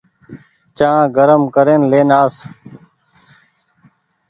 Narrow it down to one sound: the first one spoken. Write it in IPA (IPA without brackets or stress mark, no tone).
t͡ʃ